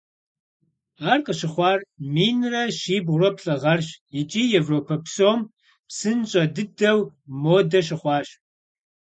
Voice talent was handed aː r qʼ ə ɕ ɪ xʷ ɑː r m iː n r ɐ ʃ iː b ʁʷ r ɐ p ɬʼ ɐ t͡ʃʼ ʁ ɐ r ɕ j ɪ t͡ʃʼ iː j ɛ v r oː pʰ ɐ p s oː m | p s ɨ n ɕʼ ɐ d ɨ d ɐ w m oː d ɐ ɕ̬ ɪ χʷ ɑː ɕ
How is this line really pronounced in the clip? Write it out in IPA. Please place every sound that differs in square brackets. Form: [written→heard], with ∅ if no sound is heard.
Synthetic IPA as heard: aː r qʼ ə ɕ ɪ [xʷ→χʷ] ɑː r m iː n r ɐ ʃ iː b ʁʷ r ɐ p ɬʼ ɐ [t͡ʃʼ→∅] ʁ ɐ r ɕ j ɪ t͡ʃʼ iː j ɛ v r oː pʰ ɐ p s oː m | p s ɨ n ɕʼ ɐ d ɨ d ɐ w m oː d ɐ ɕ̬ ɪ χʷ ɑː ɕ